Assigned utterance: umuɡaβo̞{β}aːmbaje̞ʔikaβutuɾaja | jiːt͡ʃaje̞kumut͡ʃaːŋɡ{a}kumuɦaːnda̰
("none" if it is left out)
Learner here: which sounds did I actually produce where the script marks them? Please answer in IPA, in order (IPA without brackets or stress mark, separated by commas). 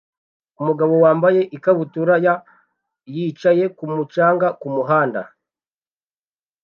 w, a